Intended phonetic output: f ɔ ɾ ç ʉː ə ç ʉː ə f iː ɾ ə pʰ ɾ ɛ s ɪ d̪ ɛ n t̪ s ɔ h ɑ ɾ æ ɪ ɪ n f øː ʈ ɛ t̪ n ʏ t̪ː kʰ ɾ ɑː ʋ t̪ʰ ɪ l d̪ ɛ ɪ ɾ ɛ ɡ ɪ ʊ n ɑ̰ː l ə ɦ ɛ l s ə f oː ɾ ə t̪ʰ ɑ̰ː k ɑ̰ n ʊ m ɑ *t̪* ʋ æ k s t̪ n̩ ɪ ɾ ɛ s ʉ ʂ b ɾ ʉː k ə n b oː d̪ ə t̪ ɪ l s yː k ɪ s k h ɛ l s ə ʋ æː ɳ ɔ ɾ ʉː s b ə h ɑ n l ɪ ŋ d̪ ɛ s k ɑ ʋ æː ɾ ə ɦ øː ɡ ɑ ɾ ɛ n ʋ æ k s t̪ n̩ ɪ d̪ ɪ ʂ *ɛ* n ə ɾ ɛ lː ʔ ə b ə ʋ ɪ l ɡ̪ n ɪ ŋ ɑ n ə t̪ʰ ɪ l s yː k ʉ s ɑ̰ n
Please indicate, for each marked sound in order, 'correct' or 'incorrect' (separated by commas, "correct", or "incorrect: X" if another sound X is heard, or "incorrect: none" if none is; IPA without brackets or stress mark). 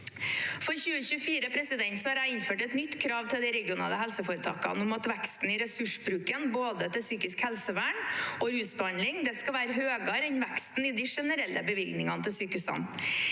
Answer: correct, correct